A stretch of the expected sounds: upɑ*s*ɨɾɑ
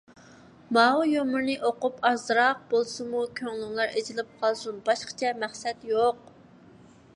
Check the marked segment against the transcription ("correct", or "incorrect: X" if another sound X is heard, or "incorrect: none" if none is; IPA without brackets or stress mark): incorrect: z